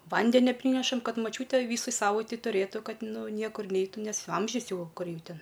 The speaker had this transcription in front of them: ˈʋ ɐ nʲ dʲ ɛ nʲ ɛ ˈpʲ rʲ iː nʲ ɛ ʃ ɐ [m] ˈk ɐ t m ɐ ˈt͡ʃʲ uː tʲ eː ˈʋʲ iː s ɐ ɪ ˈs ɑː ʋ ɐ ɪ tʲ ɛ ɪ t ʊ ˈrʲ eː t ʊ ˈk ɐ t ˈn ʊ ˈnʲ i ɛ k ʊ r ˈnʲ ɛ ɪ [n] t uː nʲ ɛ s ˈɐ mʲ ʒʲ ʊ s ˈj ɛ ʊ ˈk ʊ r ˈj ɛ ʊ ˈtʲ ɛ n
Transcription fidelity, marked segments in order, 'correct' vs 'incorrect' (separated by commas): correct, incorrect